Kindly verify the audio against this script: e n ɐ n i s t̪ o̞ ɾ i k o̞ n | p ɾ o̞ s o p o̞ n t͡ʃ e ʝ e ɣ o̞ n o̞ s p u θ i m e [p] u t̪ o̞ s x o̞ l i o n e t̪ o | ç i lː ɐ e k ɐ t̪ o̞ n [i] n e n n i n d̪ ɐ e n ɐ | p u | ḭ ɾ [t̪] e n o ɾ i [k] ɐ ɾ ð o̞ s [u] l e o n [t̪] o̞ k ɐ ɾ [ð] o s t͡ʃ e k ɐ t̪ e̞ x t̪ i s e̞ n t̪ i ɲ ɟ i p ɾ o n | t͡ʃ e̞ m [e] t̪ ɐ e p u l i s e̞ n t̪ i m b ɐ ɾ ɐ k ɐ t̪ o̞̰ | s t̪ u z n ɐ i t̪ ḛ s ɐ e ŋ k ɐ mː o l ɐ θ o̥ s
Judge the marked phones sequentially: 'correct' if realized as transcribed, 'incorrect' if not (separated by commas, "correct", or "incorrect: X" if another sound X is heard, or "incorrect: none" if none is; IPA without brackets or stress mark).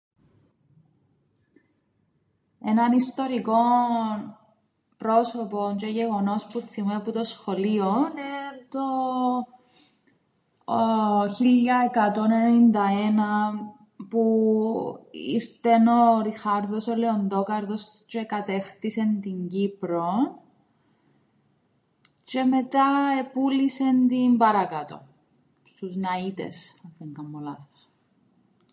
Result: correct, incorrect: e, correct, incorrect: x, incorrect: o, incorrect: d̪, correct, correct